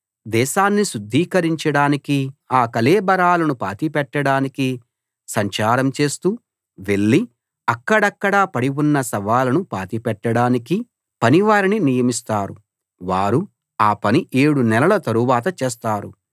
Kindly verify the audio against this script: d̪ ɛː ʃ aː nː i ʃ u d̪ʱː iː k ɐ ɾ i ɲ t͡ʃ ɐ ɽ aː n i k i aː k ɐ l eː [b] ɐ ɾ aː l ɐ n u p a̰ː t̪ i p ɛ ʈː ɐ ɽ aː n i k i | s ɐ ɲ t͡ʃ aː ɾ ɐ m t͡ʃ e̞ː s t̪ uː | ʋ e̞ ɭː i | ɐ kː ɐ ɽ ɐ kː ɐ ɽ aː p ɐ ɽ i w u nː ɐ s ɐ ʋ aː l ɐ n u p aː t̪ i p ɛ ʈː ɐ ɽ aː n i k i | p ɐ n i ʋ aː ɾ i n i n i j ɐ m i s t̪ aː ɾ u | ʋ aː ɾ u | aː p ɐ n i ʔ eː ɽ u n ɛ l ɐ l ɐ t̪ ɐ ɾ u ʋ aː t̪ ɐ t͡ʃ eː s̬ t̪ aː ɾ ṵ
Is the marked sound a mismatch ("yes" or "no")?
no